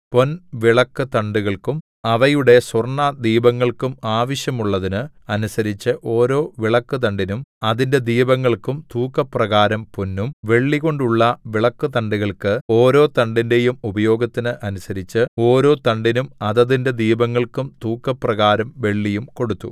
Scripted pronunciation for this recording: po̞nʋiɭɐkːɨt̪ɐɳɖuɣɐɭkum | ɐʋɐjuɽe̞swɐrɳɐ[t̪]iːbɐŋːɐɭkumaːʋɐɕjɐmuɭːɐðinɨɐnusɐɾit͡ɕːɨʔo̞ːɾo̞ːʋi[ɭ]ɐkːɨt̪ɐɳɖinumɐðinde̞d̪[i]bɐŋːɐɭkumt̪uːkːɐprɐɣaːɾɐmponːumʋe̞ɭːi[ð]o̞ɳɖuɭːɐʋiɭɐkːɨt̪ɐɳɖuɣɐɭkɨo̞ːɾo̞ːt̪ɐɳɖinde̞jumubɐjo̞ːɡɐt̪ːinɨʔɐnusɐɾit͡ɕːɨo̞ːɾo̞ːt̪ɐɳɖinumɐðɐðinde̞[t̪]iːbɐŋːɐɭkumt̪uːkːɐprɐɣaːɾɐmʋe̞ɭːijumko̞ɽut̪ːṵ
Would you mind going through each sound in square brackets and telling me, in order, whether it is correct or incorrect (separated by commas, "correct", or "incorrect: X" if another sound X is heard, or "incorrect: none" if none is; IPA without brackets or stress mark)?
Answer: incorrect: d̪, correct, incorrect: iː, incorrect: ɣ, incorrect: d̪